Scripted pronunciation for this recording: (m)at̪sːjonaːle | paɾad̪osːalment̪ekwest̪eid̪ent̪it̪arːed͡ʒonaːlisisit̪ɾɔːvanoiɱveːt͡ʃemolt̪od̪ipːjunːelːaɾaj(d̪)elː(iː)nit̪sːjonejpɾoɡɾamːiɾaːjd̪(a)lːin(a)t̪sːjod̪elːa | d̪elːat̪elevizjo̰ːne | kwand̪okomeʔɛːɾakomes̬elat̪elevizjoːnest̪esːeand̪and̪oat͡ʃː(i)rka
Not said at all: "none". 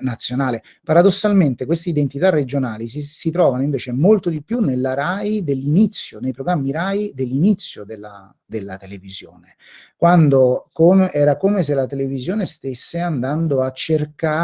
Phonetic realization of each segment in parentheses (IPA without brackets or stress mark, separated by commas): n, d̪, i, e, i, e